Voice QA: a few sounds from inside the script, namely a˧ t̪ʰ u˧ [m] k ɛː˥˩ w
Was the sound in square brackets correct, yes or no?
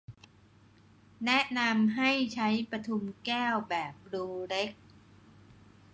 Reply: yes